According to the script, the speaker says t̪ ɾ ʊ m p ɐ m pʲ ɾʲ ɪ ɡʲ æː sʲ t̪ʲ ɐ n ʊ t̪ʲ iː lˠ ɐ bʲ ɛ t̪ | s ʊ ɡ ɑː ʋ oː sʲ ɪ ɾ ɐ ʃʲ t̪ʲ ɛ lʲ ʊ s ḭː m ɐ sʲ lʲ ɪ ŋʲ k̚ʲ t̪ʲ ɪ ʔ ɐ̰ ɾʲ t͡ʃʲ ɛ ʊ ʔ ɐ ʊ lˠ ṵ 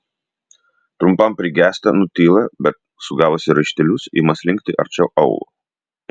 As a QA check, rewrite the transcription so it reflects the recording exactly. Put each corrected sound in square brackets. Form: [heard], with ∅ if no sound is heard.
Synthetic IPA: t̪ ɾ ʊ m p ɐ m pʲ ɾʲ ɪ ɡʲ æː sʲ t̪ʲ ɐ n ʊ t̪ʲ iː lˠ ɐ bʲ ɛ t̪ | s ʊ ɡ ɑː ʋ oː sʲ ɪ ɾ ɐ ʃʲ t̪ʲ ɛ lʲ ʊ s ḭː m ɐ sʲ lʲ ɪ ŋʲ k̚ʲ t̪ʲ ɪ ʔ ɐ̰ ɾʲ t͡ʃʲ ɛ ʊ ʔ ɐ ʊ lˠ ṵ